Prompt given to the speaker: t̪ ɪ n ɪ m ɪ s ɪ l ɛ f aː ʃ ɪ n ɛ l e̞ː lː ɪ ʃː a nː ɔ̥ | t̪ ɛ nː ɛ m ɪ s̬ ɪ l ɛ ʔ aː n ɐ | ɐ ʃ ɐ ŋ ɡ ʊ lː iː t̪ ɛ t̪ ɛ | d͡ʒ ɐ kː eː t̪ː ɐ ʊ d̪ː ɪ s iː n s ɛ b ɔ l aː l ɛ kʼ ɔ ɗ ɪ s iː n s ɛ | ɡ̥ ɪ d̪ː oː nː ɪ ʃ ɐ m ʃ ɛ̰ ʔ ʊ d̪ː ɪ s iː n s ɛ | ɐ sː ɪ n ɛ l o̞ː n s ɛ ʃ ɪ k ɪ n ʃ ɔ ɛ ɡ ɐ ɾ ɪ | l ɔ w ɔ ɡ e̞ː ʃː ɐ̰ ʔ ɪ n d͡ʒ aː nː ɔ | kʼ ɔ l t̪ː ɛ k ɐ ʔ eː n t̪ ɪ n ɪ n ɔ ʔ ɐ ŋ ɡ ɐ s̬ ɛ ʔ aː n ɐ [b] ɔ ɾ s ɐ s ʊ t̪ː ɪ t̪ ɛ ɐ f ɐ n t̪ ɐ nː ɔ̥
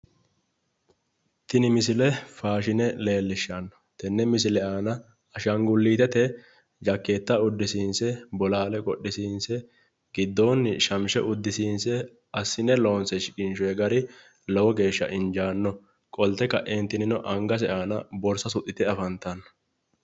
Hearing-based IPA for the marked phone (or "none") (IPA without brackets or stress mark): b